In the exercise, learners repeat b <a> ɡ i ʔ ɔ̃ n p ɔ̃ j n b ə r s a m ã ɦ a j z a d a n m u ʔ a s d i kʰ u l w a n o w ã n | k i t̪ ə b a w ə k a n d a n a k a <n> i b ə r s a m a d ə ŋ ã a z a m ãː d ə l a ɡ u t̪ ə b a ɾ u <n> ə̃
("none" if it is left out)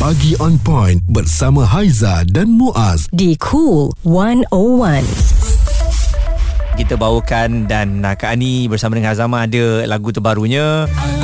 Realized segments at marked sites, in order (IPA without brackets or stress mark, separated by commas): a, n, ɲ